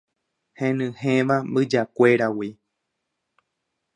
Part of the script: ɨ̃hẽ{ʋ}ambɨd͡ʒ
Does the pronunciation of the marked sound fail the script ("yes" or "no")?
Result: no